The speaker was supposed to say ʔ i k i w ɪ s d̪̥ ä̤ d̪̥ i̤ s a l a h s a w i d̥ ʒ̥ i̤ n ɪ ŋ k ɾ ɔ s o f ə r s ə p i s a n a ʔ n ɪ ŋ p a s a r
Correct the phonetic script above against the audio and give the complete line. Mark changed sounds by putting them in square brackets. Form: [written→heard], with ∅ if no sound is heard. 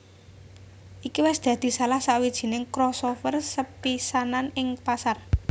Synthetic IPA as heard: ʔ i k i w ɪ s d̪̥ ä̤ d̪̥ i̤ s a l a h s a w i d̥ ʒ̥ i̤ n ɪ ŋ k ɾ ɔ s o f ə r s ə p i s a n a [ʔ→∅] n ɪ ŋ p a s a r